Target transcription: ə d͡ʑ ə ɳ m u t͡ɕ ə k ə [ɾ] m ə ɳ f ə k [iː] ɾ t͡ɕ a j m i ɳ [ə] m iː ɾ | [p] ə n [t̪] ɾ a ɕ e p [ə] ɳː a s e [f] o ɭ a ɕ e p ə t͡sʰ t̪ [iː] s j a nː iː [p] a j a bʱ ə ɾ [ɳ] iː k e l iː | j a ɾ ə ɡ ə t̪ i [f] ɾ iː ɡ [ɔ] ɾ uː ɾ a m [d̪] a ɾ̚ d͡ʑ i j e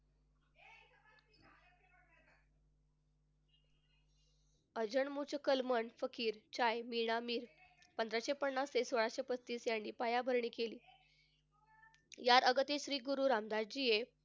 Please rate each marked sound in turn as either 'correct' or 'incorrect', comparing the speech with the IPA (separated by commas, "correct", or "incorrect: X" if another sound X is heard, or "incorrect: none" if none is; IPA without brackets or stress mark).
incorrect: l, correct, incorrect: a, correct, incorrect: d̪, correct, incorrect: s, correct, correct, correct, incorrect: ɕ, incorrect: u, correct